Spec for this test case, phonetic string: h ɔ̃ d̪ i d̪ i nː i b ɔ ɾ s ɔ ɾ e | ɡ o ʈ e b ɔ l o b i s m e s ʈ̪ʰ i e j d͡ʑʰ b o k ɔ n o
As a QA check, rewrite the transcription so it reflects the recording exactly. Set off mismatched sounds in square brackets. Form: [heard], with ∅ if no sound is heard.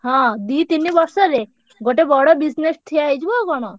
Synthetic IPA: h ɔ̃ d̪ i [t̪] i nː i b ɔ ɾ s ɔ ɾ e | ɡ o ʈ e b ɔ [ɽ] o b i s [n] e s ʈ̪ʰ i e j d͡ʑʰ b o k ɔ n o